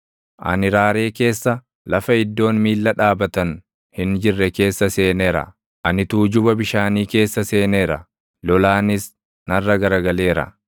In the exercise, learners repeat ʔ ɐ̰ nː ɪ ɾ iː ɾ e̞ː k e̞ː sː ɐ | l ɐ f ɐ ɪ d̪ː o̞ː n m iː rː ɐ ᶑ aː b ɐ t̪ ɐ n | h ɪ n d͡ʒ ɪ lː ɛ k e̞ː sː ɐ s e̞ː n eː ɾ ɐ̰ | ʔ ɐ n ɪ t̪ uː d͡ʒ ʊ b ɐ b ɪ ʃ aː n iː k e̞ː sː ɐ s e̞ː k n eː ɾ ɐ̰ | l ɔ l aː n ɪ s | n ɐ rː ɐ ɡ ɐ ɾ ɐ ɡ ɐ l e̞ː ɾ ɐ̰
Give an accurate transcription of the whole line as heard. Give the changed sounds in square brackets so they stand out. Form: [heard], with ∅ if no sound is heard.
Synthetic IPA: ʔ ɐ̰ [n] ɪ ɾ [aː] ɾ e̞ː k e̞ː sː ɐ | l ɐ f ɐ ɪ d̪ː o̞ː n m iː [lː] ɐ ᶑ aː b ɐ t̪ ɐ n | h ɪ n d͡ʒ ɪ [rː] ɛ k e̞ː sː ɐ s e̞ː n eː ɾ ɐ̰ | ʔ ɐ n ɪ t̪ uː d͡ʒ ʊ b ɐ b ɪ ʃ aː n iː k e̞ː sː ɐ s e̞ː [∅] n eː ɾ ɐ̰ | l ɔ l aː n ɪ s | n ɐ rː ɐ ɡ ɐ ɾ ɐ ɡ ɐ l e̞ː ɾ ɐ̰